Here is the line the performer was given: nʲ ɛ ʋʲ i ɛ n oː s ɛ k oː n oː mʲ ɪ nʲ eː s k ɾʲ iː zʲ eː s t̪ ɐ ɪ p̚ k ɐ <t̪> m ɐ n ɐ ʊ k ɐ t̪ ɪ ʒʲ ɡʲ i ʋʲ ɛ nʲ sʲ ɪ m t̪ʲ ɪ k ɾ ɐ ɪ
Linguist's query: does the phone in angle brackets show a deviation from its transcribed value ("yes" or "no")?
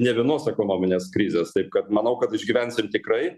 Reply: no